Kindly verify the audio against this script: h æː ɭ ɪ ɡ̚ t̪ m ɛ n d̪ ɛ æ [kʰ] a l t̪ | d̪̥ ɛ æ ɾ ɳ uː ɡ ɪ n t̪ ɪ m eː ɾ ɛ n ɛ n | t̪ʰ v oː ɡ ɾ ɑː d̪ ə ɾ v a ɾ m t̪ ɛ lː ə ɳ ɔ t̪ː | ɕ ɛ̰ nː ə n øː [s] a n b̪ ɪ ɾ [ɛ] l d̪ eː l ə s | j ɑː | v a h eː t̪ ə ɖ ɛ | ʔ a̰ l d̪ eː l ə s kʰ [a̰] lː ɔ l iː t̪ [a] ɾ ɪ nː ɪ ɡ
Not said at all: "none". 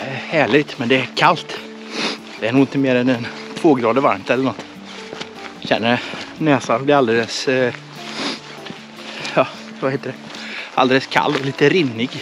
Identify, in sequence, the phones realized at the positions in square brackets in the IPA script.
kʰ, s, a, a̰, ə

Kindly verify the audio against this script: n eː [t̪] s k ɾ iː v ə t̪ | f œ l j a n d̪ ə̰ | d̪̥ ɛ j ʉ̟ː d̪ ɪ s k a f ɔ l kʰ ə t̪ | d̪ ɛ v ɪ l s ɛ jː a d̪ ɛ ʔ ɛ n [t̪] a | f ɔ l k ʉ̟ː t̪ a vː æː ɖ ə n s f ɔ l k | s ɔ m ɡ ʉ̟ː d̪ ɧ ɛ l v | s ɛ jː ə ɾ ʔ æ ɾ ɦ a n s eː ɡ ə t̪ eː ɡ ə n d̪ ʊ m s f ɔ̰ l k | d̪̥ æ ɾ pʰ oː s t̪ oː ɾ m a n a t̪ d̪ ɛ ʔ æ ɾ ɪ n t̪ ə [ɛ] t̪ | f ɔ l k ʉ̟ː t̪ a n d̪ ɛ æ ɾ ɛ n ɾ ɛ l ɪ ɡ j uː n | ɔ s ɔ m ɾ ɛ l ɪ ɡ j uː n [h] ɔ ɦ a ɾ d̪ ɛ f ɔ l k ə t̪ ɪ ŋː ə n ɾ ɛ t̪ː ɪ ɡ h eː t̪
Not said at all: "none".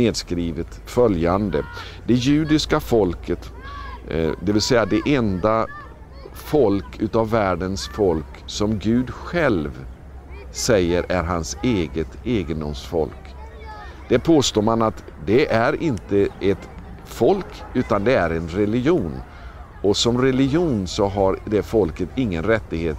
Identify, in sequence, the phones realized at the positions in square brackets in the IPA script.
d̪, d̪, ɛ, s

